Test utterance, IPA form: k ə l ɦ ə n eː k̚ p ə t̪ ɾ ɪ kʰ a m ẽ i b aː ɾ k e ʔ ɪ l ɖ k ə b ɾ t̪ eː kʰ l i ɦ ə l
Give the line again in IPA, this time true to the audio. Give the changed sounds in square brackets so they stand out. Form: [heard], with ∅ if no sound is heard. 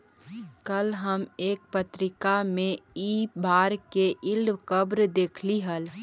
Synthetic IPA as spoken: k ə l ɦ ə [m] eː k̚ p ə t̪ ɾ ɪ [k] a m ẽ i b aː ɾ k e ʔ ɪ l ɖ k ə b ɾ [d̪] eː kʰ l i ɦ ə l